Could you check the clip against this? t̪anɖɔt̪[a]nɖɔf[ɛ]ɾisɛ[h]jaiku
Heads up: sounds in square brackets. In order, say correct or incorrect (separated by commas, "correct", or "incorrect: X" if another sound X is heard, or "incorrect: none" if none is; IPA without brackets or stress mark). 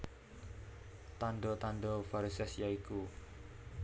correct, incorrect: a, incorrect: s